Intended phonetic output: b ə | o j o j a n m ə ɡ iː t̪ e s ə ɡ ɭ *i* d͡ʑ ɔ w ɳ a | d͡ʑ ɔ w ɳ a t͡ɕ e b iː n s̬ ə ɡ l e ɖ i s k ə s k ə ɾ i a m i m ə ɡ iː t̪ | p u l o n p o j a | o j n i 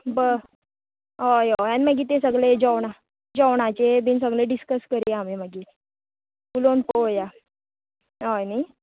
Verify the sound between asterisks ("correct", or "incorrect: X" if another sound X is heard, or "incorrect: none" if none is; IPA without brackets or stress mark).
incorrect: e